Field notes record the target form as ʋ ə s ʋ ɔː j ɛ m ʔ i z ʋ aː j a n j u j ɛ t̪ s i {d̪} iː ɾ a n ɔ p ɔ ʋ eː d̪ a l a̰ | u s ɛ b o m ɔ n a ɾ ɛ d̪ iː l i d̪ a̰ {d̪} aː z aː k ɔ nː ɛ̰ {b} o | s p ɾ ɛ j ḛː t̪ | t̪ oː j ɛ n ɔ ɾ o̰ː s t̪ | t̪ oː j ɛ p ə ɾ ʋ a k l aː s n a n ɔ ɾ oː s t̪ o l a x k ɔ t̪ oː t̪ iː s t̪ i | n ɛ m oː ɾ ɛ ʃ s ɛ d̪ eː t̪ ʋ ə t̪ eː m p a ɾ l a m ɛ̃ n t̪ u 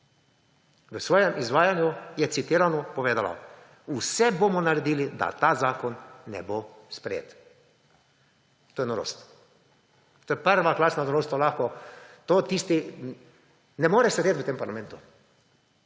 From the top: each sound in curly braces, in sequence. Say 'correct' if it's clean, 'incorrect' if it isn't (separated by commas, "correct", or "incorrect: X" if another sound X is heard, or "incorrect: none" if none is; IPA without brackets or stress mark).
incorrect: t̪, incorrect: t̪, correct